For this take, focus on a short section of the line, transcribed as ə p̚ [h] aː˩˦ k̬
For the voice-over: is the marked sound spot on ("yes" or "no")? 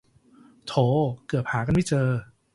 yes